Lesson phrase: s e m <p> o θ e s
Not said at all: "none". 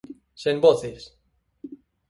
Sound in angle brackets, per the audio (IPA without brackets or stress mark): b